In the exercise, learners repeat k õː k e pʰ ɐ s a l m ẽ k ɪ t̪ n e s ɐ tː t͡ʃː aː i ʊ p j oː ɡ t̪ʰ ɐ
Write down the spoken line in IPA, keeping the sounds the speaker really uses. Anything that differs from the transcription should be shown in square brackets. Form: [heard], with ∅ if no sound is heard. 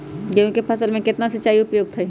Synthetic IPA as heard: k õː k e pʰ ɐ s [ə] l m ẽ k ɪ t̪ n [a] s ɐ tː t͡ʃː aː i ʊ p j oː ɡ t̪ʰ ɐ